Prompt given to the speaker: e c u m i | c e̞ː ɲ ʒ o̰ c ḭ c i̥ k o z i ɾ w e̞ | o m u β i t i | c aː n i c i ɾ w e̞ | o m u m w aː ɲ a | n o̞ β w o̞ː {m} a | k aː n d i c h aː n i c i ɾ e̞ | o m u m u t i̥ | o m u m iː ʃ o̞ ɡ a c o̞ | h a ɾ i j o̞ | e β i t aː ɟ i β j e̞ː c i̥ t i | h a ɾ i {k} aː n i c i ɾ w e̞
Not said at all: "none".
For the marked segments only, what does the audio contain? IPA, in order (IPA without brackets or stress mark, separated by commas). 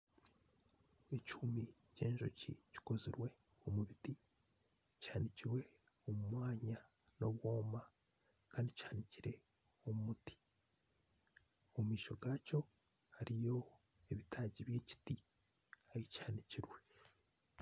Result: m, c